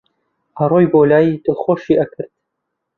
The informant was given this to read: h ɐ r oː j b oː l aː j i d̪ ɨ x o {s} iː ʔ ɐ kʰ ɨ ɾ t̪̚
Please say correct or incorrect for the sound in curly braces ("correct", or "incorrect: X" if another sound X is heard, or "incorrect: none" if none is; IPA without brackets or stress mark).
incorrect: ʃ